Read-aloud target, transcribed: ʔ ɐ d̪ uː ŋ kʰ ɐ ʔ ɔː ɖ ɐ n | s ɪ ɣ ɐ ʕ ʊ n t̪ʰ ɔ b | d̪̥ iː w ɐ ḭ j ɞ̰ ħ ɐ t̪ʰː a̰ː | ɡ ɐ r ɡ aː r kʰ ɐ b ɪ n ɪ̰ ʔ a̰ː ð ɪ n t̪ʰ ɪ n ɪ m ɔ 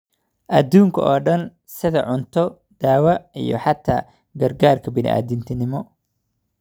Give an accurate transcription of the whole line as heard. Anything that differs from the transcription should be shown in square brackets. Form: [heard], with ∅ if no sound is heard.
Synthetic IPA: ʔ ɐ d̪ uː ŋ kʰ ɐ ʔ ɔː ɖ ɐ n | s ɪ [ð] ɐ ʕ ʊ n t̪ʰ ɔ [∅] | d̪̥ [aː] w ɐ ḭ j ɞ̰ ħ [ɑ] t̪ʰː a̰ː | ɡ ɐ r ɡ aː r kʰ ɐ b ɪ n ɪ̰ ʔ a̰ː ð ɪ n t̪ʰ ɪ n ɪ m ɔ